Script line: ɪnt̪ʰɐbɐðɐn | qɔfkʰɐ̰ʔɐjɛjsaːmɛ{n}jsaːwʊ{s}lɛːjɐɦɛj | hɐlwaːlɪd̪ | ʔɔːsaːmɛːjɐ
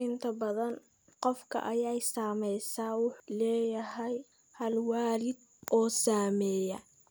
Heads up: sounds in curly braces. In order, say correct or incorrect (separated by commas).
incorrect, incorrect